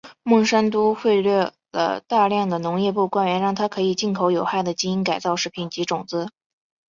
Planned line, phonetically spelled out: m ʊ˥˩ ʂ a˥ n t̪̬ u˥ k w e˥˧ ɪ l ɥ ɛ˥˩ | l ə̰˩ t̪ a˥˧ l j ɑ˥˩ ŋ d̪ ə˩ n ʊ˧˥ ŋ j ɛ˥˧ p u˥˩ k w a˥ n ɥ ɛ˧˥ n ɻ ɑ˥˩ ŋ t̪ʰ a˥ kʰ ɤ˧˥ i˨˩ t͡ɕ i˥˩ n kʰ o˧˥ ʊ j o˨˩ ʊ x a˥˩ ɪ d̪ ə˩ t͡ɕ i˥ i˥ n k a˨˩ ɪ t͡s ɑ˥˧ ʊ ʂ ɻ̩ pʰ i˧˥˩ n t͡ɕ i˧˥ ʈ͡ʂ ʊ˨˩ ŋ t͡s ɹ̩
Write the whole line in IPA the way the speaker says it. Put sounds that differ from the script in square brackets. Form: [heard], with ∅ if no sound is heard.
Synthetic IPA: m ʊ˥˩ ʂ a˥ n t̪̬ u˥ [x] w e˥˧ ɪ l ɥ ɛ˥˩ | l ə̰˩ t̪ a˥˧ l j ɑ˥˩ ŋ d̪ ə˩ n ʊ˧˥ ŋ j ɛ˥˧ p u˥˩ k w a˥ n ɥ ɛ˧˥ n ɻ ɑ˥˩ ŋ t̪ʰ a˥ kʰ ɤ˧˥ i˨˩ t͡ɕ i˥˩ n kʰ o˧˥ ʊ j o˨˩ ʊ x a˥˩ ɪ d̪ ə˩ t͡ɕ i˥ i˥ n k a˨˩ ɪ t͡s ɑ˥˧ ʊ ʂ ɻ̩ pʰ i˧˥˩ n t͡ɕ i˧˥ ʈ͡ʂ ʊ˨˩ ŋ t͡s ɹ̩